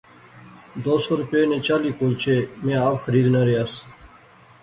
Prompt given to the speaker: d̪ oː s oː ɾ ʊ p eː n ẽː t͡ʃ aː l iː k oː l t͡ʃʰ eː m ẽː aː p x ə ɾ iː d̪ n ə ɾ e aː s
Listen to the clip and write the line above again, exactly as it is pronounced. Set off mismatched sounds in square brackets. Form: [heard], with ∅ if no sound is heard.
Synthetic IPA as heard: d̪ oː s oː ɾ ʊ p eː n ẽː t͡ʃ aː l iː k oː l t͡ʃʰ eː m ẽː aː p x ə ɾ iː d̪ n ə ɾ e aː s